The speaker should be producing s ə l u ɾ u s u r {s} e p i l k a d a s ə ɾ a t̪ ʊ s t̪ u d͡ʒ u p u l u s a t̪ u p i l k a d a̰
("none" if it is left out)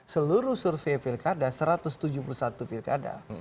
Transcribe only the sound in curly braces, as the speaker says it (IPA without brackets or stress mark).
f